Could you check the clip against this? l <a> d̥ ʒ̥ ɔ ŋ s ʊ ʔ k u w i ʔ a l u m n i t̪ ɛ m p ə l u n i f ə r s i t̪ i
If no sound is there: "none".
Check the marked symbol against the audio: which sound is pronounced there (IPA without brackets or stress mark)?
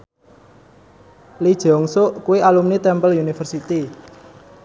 i